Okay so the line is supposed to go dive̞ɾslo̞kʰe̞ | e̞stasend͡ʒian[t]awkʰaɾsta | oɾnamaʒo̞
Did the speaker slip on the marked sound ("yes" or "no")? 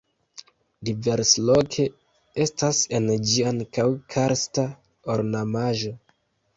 yes